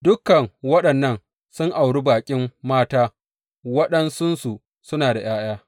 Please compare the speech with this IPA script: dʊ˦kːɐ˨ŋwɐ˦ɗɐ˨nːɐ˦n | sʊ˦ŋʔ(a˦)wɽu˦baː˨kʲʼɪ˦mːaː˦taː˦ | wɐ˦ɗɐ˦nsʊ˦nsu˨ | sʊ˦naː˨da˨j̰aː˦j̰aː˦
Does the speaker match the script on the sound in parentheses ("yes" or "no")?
no